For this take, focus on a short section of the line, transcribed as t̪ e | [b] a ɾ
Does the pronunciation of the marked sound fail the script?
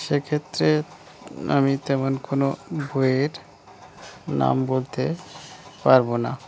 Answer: yes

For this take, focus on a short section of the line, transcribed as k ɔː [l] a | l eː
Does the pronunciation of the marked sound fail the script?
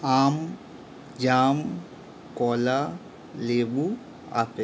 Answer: no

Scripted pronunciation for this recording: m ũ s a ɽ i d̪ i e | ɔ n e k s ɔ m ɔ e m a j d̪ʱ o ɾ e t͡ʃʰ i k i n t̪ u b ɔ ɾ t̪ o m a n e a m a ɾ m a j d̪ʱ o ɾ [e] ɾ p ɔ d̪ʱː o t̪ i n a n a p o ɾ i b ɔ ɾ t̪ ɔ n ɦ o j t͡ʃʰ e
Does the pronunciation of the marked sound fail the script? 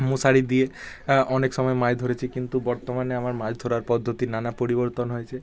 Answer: yes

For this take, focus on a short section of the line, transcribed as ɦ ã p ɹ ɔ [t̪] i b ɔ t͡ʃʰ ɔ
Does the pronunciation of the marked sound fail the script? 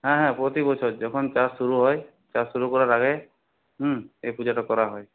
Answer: no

